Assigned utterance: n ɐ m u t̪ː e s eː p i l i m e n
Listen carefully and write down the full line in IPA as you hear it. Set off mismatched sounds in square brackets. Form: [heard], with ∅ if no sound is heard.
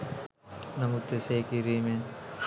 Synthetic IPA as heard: n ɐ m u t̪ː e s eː [k] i [ɾ] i m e n